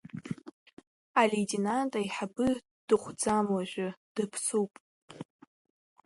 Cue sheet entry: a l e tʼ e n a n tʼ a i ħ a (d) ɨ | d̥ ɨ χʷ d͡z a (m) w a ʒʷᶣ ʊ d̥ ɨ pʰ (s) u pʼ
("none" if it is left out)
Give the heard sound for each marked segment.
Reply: b, m, s

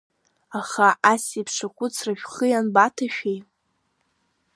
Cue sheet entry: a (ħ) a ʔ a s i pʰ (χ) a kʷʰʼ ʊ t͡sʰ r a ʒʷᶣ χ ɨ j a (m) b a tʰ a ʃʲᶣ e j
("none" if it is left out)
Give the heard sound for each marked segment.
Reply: χ, ʂ, n

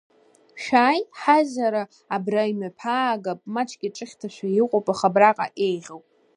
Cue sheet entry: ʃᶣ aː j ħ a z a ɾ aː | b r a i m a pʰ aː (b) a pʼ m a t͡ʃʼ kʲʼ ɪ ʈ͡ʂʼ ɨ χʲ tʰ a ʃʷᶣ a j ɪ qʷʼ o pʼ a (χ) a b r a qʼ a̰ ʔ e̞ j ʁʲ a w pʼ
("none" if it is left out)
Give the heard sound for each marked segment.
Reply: ɡ, χ

